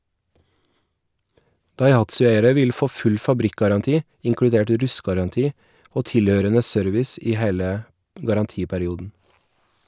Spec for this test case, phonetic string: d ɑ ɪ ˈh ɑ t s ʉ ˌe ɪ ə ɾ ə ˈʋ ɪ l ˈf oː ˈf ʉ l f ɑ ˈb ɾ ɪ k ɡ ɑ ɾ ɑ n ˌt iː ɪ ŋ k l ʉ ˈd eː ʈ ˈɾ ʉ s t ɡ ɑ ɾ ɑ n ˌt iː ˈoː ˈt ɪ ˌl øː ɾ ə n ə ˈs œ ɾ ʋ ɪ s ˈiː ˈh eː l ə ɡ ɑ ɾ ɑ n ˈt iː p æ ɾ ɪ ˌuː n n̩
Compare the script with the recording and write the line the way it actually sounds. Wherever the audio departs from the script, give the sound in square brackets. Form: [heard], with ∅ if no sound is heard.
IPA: d ɑ ɪ ˈh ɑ t s ʉ ˌe ɪ ə ɾ ə ˈʋ ɪ l ˈf oː ˈf ʉ l f ɑ ˈb ɾ ɪ k ɡ ɑ ɾ ɑ n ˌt iː ɪ ŋ k [ɽ] ʉ ˈd eː ʈ ˈɾ ʉ s t ɡ ɑ ɾ ɑ n ˌt iː ˈoː ˈt ɪ ˌl øː ɾ ə n ə ˈs œ ɾ ʋ ɪ s ˈiː ˈh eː l ə ɡ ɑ ɾ ɑ n ˈt iː p æ ɾ ɪ ˌuː [d] n̩